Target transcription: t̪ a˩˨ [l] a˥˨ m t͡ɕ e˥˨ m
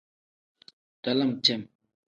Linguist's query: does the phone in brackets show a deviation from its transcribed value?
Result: no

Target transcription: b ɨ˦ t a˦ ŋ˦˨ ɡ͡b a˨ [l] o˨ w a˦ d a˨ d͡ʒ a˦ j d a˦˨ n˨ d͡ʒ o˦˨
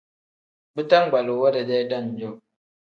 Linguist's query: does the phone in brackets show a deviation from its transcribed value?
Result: no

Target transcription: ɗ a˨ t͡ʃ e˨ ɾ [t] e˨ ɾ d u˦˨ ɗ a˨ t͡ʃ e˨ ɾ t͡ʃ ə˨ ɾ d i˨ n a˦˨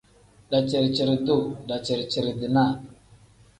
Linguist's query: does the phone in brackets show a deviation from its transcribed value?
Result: yes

